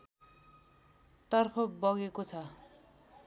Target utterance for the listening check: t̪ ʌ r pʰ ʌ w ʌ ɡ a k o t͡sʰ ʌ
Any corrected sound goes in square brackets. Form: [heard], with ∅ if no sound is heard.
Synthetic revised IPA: t̪ ʌ r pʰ ʌ [b] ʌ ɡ [e] k o t͡sʰ ʌ